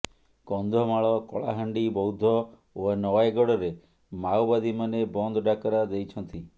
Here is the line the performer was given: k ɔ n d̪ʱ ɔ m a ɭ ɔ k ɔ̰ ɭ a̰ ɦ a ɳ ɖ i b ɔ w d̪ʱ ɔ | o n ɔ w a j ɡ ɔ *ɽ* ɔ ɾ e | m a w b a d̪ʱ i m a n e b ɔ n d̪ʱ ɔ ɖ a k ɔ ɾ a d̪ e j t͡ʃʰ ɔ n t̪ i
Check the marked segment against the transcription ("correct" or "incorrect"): correct